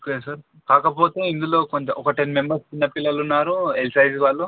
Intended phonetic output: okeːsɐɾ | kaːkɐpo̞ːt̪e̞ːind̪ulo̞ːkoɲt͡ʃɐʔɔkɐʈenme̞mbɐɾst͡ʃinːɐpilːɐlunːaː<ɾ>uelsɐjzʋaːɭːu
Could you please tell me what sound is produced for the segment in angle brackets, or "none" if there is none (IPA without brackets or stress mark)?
ɾ